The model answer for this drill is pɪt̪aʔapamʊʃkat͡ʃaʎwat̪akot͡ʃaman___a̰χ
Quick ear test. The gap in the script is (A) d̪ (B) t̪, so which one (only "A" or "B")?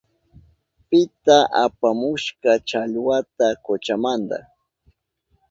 A